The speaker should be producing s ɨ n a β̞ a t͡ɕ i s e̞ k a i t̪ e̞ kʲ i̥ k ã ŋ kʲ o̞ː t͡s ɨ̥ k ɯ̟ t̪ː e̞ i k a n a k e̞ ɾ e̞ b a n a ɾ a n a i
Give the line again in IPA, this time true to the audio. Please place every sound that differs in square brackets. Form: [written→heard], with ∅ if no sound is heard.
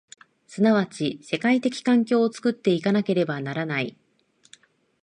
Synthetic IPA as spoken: s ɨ n a β̞ a t͡ɕ i s e̞ k a i t̪ e̞ kʲ i̥ k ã ŋ kʲ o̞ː t͡s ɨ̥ k ɯ̟ t̪ː e̞ i k a n a k e̞ ɾ e̞ b a n a ɾ a n a i